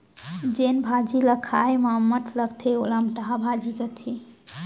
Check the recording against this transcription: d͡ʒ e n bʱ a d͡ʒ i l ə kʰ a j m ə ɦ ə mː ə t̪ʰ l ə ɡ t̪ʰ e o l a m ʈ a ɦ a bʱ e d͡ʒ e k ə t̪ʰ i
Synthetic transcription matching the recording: d͡ʒ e n bʱ a d͡ʒ i l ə kʰ a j m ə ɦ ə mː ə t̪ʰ l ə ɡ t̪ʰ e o l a m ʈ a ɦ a bʱ a d͡ʒ i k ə t̪ʰ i